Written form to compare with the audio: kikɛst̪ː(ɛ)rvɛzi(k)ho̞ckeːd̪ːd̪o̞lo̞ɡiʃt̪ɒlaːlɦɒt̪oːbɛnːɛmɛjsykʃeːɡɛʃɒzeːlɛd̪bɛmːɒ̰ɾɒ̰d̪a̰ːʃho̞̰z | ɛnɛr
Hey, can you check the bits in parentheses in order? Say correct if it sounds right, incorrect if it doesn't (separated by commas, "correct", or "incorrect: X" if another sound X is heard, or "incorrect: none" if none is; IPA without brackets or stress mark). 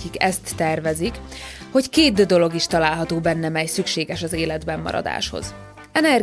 correct, correct